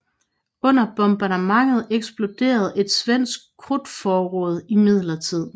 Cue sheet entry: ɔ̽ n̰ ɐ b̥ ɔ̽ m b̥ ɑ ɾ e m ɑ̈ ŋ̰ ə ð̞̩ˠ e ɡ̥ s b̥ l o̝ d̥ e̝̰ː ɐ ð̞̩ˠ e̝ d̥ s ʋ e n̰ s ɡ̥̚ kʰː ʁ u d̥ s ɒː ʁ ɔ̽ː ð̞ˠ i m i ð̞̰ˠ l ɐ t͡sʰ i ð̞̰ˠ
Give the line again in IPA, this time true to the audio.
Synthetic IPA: ɔ̽ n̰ ɐ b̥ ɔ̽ m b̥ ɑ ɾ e m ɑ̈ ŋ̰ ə ð̞̩ˠ e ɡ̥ s b̥ l o̝ d̥ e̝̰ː ɐ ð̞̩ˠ e̝ d̥ s ʋ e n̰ s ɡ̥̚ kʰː ʁ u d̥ f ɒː ʁ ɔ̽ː ð̞ˠ i m i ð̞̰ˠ l ɐ t͡sʰ i ð̞̰ˠ